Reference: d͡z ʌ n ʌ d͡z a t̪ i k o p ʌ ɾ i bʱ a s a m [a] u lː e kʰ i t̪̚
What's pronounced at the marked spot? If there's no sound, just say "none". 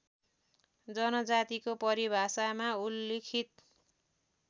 a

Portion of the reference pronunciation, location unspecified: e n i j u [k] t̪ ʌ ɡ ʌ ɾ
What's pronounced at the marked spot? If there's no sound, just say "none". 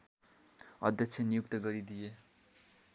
k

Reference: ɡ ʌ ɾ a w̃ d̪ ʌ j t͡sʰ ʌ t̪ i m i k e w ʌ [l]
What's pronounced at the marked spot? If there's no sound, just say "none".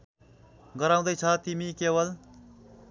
l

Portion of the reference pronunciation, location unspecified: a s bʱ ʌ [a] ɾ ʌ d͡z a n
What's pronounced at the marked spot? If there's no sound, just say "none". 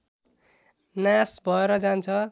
e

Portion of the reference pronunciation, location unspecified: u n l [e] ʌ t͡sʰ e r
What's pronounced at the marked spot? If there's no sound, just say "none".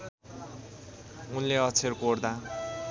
e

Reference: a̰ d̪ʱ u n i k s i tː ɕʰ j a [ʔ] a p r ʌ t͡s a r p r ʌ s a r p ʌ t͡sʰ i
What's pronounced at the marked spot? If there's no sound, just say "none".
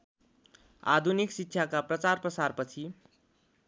k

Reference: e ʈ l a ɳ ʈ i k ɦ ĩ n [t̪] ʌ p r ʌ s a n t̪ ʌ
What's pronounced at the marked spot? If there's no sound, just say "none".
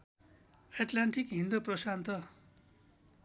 d̪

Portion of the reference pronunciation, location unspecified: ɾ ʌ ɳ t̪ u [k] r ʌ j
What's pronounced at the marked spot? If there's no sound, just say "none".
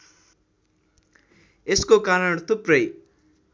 p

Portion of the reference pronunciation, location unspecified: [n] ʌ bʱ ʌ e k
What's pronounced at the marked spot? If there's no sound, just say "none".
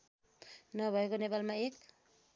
n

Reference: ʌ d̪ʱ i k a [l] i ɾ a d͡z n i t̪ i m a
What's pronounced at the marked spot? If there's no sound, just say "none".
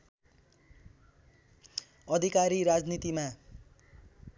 ɾ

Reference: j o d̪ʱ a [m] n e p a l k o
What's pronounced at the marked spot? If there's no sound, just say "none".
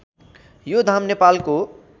m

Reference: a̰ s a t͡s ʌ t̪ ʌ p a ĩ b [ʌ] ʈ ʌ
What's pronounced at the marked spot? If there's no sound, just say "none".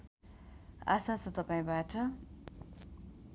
a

